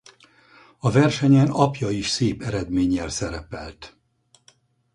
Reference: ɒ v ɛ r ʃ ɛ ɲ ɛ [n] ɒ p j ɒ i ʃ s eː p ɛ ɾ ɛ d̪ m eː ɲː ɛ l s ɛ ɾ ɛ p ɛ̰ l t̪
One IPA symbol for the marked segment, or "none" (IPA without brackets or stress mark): n